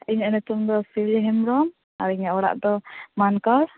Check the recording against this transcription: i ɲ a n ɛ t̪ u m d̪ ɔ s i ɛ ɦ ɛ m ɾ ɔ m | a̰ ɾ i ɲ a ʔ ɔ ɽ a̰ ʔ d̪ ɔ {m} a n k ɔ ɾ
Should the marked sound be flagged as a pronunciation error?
no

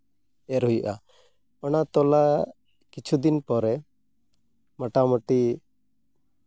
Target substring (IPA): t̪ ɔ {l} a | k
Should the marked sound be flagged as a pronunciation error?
no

